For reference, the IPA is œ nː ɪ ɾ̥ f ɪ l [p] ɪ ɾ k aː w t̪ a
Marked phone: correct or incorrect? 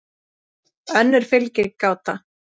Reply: incorrect